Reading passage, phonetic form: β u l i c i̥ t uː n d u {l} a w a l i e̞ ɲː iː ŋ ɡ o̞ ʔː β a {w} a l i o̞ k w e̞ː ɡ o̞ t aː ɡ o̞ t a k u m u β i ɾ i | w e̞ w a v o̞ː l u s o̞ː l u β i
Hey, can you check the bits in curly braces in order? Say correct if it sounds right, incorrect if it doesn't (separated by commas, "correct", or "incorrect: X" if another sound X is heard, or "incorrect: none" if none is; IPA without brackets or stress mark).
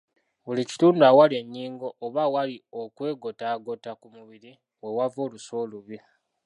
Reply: incorrect: none, correct